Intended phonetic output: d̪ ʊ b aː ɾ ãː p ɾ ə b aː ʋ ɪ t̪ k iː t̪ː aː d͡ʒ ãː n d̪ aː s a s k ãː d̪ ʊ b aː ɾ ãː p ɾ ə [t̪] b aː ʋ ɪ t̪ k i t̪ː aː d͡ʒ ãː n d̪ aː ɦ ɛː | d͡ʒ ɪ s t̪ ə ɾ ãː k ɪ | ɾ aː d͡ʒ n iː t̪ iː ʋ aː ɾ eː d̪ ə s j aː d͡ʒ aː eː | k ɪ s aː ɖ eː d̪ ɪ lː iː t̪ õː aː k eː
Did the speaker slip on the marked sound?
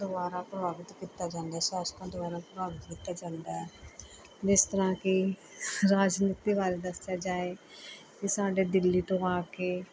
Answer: yes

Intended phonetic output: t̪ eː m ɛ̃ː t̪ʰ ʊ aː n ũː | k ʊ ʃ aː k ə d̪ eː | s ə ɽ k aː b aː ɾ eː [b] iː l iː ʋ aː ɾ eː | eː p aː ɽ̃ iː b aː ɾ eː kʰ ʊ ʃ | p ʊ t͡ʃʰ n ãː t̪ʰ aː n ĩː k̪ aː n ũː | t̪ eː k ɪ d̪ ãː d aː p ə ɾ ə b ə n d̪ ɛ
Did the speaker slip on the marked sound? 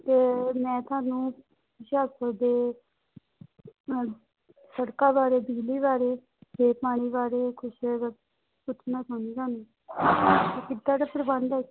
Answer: no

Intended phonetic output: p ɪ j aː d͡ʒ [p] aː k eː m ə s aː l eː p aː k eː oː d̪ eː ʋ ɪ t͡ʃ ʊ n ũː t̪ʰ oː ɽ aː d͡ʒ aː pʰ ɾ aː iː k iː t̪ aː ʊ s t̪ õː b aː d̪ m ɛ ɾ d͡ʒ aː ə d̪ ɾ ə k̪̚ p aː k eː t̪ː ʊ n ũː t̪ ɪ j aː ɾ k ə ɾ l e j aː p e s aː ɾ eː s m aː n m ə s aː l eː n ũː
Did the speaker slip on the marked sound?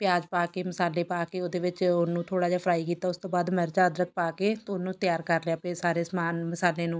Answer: no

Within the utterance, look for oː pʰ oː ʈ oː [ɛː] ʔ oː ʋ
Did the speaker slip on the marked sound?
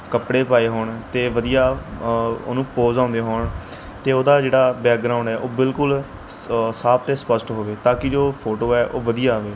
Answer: no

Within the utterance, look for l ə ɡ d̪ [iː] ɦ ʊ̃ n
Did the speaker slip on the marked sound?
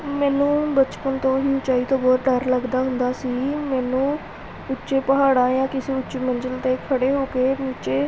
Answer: yes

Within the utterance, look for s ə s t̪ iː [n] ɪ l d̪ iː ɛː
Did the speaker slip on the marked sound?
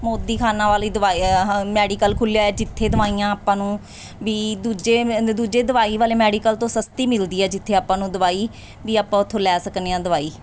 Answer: yes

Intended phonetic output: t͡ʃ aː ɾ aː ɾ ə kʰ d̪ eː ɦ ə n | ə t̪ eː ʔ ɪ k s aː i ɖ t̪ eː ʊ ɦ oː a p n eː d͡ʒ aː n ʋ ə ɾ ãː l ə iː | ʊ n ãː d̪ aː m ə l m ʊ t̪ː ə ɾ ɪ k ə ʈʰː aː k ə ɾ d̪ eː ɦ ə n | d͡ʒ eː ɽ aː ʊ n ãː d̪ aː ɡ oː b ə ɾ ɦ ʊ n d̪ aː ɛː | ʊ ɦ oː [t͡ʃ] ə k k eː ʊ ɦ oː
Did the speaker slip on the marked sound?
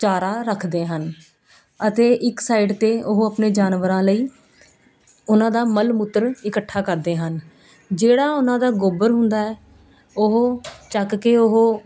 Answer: no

